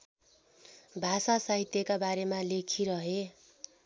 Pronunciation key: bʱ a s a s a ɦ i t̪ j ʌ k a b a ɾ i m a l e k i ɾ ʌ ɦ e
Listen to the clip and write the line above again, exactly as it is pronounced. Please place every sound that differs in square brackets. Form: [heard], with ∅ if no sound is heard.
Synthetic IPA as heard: bʱ a s a s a ɦ i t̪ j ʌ k a b a ɾ [e] m a l e [kʰ] i ɾ ʌ ɦ e